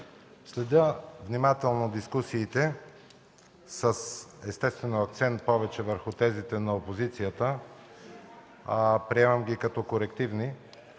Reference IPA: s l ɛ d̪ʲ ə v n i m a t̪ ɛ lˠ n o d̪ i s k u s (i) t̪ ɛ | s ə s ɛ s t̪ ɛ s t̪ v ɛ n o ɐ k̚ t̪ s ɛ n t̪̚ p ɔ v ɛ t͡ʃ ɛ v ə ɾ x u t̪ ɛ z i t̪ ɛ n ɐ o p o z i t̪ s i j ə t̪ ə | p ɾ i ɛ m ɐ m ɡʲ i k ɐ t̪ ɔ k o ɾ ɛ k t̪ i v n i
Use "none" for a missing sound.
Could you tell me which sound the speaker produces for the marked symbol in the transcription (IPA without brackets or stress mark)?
iː